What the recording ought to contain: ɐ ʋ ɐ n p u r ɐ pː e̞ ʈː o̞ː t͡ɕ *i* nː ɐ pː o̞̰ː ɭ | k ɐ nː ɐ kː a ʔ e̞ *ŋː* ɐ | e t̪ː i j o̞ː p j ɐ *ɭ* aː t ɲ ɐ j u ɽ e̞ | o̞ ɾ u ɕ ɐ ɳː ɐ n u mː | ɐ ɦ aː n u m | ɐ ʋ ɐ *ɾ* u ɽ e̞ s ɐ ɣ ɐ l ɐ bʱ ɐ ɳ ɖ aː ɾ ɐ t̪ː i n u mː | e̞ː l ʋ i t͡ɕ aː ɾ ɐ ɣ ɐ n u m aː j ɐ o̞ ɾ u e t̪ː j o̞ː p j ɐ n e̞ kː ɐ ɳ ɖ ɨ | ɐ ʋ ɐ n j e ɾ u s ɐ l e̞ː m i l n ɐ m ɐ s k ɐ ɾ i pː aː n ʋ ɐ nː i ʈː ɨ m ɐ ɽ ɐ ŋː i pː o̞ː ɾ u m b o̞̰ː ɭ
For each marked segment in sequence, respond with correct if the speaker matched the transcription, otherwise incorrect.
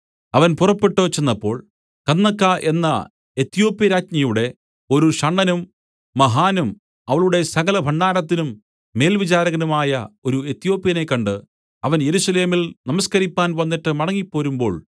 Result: incorrect, incorrect, incorrect, incorrect

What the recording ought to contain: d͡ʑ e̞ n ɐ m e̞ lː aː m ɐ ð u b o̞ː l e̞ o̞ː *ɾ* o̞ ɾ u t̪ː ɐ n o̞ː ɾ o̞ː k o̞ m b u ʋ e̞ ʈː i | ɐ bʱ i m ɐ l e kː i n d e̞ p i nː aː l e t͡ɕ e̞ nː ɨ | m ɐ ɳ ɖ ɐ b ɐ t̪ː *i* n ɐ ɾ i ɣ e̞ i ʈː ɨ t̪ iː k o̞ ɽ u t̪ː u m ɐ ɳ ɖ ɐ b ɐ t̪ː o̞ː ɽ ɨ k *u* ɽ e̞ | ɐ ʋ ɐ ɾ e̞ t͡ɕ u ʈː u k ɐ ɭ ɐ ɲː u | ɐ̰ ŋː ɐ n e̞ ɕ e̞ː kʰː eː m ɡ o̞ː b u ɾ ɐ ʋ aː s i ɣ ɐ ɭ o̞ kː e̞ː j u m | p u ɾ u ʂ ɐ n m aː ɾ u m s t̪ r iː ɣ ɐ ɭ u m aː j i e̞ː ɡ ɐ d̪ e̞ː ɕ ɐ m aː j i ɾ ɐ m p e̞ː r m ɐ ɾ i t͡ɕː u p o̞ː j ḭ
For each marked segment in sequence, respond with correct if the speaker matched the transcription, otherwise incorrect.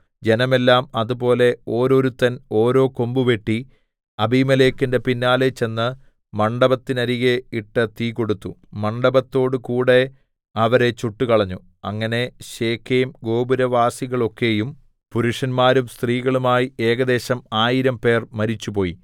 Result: correct, correct, incorrect

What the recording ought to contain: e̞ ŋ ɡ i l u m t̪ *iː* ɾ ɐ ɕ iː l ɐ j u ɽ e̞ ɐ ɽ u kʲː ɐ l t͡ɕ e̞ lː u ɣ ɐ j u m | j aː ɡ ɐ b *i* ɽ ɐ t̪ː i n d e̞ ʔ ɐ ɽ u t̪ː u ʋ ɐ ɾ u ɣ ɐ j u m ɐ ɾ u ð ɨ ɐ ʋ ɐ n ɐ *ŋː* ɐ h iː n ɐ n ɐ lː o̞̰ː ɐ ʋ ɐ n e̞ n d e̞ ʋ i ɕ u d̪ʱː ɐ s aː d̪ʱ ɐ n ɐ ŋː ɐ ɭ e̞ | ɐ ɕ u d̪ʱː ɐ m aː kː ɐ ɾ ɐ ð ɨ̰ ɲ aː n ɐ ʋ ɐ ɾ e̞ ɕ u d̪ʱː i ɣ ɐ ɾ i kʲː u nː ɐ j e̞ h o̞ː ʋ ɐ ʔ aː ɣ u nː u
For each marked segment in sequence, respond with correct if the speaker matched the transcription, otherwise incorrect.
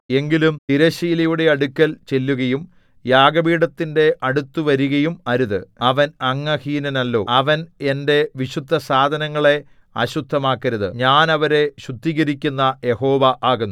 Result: incorrect, incorrect, correct

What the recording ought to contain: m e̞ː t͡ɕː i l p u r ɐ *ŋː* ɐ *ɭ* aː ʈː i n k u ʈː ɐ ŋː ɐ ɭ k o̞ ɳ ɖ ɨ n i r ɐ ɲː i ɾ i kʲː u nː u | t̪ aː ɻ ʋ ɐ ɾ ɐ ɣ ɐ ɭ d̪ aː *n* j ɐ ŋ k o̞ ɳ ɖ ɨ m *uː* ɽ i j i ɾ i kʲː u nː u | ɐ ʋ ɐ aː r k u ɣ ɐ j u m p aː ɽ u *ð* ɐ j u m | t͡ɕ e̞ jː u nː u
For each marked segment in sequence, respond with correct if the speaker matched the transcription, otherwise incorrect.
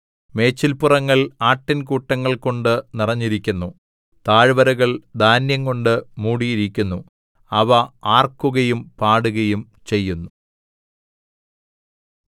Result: correct, correct, correct, correct, incorrect

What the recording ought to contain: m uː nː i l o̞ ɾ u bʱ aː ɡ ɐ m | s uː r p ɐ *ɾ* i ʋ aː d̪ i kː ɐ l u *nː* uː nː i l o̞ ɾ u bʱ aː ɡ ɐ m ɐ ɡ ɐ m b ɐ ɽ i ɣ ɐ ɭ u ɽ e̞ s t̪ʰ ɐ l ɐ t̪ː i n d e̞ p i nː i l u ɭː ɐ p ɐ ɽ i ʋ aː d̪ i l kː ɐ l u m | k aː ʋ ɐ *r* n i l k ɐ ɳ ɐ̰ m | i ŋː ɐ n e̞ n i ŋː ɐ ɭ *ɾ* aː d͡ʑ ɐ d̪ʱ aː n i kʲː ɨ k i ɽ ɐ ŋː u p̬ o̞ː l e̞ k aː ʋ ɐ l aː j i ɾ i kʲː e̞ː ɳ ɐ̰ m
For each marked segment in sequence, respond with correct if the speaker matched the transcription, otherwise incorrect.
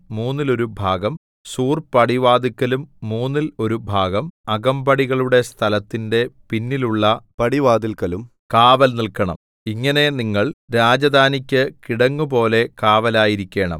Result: incorrect, incorrect, incorrect, correct

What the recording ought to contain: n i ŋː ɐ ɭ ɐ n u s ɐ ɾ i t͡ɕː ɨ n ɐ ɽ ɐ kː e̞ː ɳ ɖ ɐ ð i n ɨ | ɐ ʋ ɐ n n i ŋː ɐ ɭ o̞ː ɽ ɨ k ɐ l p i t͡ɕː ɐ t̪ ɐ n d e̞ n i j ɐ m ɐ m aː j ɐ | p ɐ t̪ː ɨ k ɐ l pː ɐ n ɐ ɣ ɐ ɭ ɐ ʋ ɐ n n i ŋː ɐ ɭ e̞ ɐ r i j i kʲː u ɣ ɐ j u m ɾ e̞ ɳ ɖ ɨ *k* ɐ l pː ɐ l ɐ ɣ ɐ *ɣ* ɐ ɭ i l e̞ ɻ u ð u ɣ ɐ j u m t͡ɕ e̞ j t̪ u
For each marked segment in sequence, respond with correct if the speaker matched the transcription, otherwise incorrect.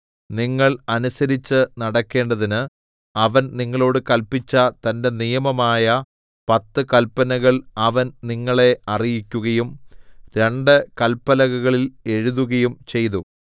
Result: correct, correct

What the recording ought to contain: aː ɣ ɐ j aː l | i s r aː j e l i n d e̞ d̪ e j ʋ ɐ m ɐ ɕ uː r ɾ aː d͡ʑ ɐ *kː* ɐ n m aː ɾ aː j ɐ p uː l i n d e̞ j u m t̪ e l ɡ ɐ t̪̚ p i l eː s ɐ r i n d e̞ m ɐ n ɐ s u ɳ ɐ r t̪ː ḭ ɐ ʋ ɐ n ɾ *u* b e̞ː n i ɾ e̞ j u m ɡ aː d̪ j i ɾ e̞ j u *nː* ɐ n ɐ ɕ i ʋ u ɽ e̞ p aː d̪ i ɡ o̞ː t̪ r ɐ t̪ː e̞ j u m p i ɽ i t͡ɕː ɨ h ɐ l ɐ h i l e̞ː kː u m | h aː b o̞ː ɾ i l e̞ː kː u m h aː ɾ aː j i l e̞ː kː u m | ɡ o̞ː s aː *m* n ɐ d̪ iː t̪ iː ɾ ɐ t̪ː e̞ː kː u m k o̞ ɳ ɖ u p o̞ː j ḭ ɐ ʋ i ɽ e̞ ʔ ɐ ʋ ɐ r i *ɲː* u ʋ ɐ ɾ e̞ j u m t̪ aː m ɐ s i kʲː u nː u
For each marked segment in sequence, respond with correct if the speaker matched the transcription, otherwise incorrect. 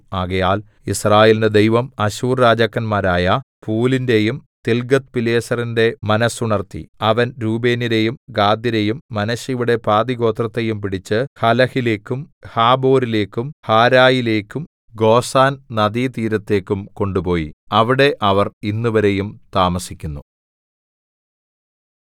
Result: correct, incorrect, incorrect, incorrect, incorrect

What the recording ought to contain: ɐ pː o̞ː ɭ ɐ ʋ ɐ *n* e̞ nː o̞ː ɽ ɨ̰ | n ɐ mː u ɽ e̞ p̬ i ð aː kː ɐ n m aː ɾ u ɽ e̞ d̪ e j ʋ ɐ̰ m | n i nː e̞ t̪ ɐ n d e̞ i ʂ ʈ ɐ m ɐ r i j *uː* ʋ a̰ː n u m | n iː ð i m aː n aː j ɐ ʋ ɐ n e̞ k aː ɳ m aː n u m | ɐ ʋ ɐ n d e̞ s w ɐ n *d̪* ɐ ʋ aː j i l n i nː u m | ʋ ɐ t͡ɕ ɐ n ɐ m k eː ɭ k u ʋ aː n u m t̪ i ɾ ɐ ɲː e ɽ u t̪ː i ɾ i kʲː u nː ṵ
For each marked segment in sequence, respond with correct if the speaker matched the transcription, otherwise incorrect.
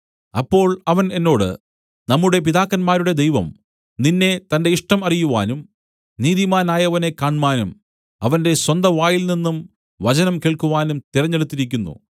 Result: correct, incorrect, correct

